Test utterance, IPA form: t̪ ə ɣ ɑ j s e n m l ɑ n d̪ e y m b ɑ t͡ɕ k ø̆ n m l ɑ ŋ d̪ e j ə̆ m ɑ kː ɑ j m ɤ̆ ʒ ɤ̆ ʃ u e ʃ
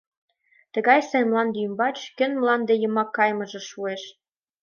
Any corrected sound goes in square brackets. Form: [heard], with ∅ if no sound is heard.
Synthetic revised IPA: t̪ ə ɣ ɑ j s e n m l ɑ n d̪ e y m b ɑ t͡ɕ k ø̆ n m l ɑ [n] d̪ e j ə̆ m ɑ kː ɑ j m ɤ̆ ʒ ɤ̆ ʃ u e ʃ